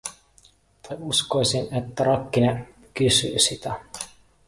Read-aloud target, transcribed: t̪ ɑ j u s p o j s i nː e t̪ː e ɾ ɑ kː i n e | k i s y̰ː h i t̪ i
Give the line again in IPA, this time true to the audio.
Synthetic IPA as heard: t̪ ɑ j u s k o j s i n e t̪ː æ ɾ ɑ kː i n e | k y s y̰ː s i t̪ æ